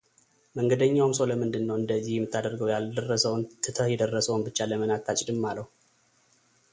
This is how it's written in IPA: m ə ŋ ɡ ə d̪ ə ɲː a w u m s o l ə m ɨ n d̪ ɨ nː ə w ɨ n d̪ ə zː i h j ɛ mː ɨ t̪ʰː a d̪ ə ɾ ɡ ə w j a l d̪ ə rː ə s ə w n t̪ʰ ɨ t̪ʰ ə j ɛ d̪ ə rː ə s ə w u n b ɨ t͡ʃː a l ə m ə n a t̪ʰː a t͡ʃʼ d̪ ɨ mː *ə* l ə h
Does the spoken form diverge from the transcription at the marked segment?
yes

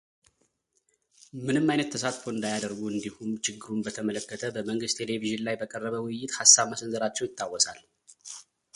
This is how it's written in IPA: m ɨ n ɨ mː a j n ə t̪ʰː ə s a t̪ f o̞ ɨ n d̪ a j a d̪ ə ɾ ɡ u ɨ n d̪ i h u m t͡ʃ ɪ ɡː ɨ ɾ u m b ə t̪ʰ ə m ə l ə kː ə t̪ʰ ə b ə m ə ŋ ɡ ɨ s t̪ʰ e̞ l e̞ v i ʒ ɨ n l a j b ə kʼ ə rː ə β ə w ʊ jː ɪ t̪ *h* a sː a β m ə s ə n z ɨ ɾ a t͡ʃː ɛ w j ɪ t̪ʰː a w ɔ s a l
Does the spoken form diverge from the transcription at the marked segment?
no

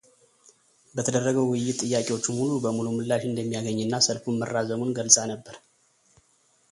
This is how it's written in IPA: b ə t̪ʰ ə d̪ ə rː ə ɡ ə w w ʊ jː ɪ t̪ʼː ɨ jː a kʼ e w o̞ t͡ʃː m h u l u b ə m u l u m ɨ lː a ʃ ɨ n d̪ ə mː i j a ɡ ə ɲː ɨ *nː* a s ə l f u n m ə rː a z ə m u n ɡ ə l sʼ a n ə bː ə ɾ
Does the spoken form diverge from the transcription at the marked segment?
no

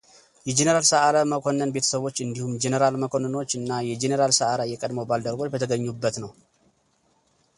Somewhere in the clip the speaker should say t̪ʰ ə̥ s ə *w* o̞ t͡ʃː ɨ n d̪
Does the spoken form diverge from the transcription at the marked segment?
yes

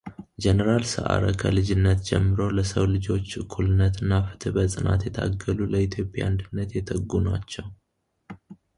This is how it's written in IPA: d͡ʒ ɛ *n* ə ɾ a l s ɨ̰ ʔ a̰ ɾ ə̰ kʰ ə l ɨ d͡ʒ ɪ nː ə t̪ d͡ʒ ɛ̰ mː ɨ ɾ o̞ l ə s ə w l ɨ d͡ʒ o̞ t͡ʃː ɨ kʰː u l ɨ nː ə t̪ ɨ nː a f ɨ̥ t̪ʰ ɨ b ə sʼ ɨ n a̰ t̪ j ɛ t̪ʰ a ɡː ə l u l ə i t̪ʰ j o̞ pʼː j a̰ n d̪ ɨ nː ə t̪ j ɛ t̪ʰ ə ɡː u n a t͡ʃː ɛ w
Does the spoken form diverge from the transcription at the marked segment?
no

